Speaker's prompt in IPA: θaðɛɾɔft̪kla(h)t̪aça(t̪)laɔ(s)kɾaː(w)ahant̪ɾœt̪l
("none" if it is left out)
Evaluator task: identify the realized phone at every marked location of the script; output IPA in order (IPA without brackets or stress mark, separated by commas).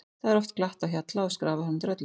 h, t̪, s, v